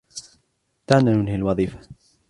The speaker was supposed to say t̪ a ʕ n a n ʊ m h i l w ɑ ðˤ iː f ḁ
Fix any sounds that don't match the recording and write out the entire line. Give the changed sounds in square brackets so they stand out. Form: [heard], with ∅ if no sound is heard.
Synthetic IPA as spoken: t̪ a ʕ n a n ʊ [n] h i l w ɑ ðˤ iː f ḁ